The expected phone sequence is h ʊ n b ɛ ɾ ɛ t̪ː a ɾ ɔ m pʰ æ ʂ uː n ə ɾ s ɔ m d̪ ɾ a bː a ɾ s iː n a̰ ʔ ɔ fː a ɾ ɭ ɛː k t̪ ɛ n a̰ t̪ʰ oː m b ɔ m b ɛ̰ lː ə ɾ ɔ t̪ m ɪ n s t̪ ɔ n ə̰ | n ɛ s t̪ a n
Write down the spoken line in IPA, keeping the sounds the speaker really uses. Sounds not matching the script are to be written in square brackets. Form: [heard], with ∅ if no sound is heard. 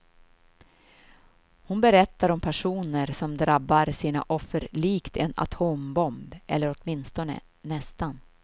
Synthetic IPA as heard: h ʊ n b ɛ ɾ ɛ t̪ː a ɾ ɔ m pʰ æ ʂ uː n ə ɾ s ɔ m d̪ ɾ a bː a ɾ s iː n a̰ ʔ ɔ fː [ə] ɾ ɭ [iː] k t̪ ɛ n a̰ t̪ʰ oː m b ɔ m b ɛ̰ lː ə ɾ ɔ t̪ m ɪ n s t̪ ɔ n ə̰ | n ɛ s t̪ a n